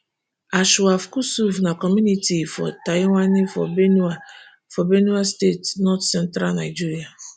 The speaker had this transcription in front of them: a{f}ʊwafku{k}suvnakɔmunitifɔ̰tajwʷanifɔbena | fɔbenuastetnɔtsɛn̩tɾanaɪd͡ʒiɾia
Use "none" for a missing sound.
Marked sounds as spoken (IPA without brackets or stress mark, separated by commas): ʃ, none